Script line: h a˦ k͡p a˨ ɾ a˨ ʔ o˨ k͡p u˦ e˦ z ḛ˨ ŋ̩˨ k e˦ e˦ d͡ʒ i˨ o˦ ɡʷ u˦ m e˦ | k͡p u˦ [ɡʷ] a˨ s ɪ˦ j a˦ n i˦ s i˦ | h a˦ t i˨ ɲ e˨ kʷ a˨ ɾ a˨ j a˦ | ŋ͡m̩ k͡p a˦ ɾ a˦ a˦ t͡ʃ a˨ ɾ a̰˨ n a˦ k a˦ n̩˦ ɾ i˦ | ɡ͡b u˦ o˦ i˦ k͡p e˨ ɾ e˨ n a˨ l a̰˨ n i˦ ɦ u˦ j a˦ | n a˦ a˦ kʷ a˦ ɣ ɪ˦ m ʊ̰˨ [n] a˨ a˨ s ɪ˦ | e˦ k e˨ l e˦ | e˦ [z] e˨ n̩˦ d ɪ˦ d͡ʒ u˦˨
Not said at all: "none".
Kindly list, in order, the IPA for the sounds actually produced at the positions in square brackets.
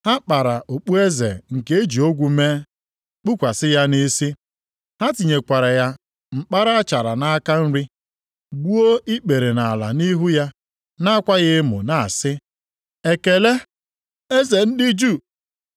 kʷ, n, z

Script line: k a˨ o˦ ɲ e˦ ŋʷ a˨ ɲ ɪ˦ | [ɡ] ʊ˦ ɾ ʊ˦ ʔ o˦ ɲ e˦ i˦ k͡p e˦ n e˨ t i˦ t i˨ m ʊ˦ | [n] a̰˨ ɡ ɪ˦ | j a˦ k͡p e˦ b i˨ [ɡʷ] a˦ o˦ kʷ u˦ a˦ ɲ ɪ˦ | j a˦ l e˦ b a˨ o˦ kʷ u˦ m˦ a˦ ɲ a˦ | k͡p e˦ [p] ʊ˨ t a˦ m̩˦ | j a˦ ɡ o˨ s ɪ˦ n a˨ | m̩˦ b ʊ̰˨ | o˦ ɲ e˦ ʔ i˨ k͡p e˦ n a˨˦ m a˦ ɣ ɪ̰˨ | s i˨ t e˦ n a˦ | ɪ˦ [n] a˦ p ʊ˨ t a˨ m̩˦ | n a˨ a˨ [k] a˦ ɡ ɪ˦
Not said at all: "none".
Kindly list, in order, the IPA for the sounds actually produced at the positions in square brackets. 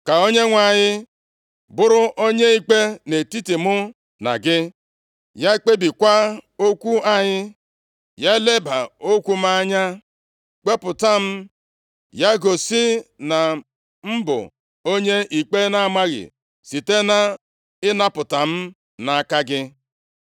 b, n, kʷ, p, n, k

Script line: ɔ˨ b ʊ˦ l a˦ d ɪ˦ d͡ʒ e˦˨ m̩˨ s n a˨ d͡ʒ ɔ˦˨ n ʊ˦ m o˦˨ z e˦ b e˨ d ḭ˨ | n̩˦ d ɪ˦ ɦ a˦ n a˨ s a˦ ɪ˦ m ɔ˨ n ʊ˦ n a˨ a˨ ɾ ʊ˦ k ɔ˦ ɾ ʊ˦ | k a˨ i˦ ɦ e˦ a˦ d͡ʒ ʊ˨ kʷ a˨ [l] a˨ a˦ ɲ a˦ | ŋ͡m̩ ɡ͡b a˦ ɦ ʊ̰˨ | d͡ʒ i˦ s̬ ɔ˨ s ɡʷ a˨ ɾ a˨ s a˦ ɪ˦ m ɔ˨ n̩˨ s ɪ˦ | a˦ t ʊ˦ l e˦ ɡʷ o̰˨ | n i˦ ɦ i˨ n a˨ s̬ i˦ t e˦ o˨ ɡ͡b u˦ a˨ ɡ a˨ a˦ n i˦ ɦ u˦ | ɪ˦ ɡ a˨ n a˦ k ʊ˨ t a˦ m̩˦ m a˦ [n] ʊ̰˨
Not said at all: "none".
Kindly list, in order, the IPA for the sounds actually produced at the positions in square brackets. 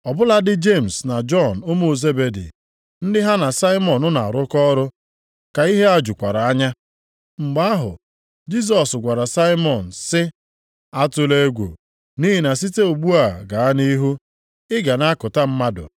ɾ, d

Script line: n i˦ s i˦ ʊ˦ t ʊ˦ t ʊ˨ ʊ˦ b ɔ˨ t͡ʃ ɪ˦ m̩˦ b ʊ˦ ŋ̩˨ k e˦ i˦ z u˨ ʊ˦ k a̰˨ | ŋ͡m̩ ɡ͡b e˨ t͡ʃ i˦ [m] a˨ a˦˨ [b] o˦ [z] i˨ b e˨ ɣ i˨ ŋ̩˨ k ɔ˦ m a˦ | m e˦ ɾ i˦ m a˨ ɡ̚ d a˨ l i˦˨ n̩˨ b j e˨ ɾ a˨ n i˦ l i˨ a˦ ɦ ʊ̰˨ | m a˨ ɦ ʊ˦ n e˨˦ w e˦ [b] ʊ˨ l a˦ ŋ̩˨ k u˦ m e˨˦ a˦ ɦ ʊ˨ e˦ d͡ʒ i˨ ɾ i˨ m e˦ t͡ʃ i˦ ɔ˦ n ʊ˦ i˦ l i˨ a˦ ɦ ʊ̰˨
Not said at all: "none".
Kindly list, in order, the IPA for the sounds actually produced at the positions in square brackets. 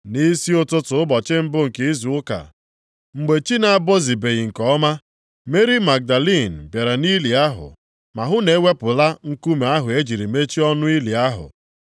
n, b, z, p

